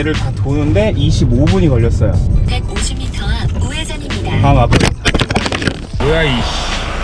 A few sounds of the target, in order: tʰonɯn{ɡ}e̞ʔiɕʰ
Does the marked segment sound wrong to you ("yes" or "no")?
yes